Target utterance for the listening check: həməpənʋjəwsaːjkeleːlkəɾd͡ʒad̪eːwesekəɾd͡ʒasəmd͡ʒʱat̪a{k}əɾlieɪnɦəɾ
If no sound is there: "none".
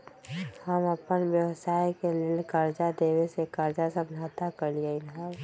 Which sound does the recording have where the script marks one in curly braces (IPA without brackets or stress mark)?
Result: k